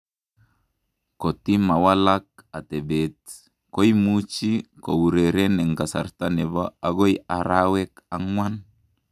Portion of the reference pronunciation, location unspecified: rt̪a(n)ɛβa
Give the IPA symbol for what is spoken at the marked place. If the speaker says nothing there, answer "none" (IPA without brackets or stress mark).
n